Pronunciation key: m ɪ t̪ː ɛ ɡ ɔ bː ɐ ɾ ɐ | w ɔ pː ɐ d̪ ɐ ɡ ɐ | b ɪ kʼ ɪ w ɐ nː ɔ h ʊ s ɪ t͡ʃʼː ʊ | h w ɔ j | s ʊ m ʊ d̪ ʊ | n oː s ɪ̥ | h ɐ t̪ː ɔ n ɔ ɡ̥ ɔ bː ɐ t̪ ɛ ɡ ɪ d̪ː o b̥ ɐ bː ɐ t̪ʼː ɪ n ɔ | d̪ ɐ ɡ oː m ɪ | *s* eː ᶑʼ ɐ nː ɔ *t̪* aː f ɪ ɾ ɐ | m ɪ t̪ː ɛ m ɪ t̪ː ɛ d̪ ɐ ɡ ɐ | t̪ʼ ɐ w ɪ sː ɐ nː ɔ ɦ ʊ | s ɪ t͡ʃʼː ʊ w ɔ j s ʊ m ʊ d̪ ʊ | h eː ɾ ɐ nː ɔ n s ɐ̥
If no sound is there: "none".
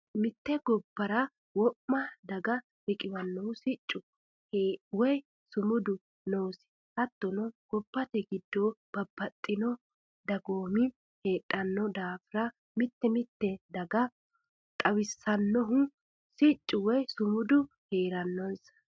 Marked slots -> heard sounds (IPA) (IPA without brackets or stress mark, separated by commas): h, d̪